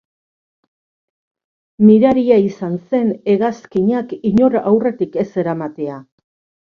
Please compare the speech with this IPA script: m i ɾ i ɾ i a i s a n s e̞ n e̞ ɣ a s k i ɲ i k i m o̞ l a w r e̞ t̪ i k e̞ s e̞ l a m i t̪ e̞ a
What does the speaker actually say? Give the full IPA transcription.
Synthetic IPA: m i ɾ a ɾ i a i s a n s e̞ n e̞ ɣ a s k i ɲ a k i ɲ o̞ ɾ a w r e̞ t̪ i k e̞ s e̞ ɾ a m a t̪ e̞ a